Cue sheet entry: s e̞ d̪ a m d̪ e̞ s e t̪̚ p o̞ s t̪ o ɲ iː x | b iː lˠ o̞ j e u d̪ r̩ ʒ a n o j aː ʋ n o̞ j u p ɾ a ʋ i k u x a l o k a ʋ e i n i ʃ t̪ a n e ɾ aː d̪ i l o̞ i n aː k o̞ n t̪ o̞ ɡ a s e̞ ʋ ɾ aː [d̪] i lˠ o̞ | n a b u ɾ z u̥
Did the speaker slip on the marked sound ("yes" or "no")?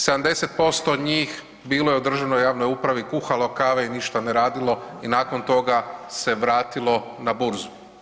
yes